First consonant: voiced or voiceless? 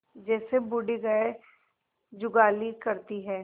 voiced